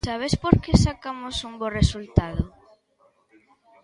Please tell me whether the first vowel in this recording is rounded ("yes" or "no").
no